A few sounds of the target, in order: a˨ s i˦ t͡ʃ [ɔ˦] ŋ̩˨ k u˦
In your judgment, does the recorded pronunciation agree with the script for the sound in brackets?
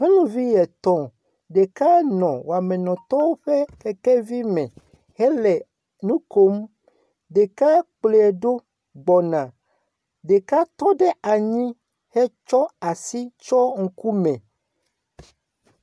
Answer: yes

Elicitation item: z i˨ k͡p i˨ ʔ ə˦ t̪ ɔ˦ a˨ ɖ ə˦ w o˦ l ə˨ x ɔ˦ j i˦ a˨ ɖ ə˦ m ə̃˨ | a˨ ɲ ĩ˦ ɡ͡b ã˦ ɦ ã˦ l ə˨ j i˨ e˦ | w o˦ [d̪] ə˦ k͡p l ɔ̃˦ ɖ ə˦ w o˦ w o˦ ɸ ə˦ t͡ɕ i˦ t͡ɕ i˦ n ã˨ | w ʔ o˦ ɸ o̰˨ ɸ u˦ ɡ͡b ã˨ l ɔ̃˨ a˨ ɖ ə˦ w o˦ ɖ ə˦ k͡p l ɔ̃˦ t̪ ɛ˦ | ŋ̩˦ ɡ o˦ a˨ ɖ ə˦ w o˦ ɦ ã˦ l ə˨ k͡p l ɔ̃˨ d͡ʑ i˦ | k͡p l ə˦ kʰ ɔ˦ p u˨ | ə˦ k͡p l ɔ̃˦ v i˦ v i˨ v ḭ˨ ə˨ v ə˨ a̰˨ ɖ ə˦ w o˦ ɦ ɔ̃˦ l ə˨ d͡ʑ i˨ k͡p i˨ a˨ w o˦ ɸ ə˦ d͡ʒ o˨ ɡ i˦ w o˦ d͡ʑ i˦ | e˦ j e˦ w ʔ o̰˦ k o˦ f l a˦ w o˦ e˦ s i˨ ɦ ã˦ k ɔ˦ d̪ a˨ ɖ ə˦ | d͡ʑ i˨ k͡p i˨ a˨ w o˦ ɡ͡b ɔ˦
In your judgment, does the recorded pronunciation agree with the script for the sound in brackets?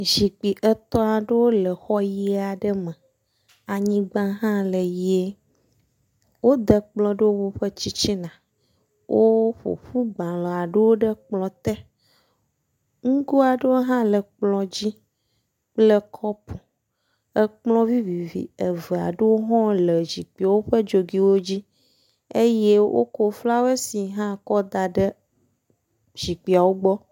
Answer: yes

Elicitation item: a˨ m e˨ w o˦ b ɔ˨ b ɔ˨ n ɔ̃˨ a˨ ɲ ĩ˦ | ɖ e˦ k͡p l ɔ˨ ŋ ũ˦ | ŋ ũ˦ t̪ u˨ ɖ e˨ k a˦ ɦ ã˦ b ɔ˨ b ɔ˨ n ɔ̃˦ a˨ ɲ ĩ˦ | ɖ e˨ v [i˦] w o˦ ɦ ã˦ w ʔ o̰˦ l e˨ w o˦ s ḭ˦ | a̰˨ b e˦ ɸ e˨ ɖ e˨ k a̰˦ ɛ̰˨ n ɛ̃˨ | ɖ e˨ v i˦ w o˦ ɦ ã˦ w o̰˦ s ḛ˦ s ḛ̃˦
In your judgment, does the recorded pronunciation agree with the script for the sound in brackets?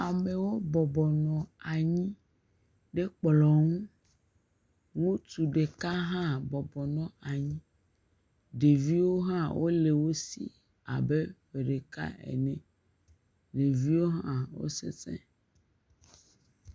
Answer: yes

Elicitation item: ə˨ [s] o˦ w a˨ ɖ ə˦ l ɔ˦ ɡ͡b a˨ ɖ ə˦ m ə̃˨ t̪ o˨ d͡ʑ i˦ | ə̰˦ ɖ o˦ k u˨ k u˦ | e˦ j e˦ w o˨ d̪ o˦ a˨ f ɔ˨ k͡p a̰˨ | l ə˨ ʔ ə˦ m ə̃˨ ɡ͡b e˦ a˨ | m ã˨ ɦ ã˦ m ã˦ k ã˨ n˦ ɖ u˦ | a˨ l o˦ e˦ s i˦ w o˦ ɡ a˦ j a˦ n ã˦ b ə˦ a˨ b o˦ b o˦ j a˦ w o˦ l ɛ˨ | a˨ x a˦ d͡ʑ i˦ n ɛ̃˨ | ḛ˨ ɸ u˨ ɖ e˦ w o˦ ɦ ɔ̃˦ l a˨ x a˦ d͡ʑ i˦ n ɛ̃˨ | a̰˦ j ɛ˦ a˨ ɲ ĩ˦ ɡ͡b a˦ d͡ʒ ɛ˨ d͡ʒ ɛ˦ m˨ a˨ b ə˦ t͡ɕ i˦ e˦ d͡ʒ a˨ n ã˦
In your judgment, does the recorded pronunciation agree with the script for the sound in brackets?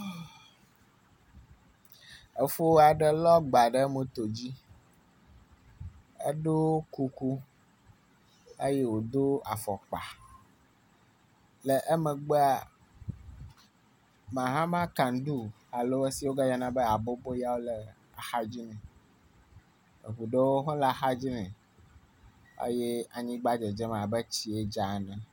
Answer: no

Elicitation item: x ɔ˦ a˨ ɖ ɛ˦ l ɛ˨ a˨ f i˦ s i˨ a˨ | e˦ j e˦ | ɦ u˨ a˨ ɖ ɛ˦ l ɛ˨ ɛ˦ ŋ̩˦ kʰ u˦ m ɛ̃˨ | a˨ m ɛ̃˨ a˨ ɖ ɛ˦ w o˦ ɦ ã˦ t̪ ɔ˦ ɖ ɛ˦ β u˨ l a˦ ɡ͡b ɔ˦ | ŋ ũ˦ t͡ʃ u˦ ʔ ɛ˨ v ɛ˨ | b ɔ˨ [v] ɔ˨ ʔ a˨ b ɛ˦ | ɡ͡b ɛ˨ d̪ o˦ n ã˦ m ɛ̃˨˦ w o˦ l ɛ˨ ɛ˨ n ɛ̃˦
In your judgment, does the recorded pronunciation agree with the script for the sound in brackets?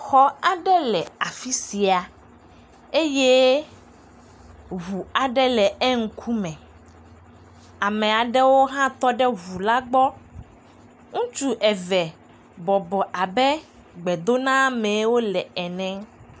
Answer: no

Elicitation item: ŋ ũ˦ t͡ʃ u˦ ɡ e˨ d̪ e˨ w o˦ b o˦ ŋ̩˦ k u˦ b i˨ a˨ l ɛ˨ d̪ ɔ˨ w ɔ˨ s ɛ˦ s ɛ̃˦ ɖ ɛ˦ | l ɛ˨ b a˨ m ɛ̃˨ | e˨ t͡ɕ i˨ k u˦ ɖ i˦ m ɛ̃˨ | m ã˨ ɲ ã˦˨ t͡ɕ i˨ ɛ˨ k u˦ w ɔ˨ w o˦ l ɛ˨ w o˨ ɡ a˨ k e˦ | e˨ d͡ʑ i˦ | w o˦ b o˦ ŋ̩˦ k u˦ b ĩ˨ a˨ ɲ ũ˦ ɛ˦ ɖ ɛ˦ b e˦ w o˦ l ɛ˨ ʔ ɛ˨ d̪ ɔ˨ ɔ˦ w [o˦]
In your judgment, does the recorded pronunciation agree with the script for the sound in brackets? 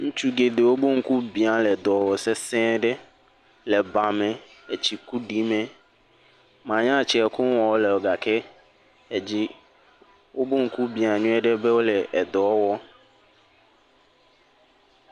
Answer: no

